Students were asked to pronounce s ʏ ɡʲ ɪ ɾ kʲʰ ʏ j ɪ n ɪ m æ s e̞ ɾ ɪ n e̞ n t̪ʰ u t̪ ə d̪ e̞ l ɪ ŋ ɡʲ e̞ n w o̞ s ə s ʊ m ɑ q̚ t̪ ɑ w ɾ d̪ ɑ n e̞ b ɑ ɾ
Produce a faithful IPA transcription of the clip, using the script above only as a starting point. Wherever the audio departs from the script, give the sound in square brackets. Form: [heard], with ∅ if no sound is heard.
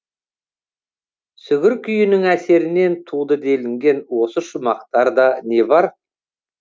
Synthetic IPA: s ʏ ɡʲ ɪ ɾ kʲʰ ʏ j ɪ n ɪ [ŋ] æ s e̞ ɾ ɪ n e̞ n t̪ʰ u [d̪] ə d̪ e̞ l ɪ ŋ ɡʲ e̞ n w o̞ s ə [ʃ] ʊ m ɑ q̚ t̪ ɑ [∅] ɾ d̪ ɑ n e̞ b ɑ ɾ